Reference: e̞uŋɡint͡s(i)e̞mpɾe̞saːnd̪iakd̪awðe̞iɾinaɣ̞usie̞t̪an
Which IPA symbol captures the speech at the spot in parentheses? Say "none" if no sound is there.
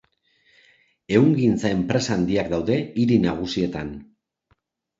a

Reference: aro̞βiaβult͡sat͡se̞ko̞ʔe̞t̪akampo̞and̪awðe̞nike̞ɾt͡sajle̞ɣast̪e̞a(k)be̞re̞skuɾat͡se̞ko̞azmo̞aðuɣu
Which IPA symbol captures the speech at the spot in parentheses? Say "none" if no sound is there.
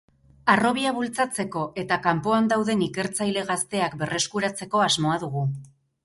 k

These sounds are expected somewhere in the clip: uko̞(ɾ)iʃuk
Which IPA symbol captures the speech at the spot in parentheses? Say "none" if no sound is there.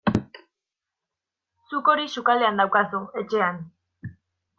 ɾ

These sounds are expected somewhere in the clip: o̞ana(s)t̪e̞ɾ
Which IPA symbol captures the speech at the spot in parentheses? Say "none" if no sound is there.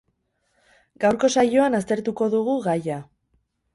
s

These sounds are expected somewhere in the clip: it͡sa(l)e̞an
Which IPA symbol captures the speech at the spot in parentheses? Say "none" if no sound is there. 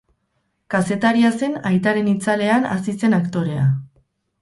l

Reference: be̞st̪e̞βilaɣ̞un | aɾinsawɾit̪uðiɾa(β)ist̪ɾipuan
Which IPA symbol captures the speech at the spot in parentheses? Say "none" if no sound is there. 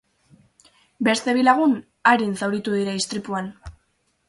none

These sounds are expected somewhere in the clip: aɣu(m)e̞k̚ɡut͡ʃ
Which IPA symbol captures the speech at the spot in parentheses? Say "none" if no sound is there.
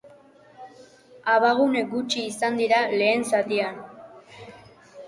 n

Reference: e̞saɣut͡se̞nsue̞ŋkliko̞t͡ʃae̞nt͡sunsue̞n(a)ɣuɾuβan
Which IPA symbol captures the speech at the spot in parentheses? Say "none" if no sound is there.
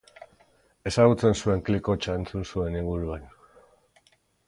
i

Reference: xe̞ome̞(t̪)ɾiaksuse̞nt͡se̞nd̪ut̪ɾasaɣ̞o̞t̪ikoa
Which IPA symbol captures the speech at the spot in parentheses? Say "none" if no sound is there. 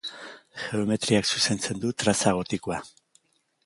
t̪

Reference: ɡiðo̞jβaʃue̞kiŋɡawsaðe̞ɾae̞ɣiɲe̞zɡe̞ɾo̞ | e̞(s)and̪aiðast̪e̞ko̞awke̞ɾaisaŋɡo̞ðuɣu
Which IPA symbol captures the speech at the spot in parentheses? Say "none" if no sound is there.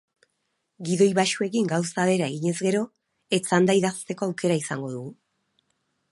t͡s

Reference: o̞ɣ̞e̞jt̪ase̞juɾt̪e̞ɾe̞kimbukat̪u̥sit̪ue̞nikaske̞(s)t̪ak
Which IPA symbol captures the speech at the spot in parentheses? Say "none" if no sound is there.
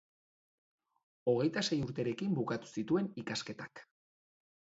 none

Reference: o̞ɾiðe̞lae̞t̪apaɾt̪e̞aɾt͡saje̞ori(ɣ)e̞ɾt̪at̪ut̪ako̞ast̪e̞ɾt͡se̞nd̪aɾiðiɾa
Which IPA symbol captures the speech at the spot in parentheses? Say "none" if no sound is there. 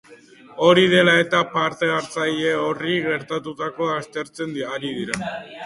ɣ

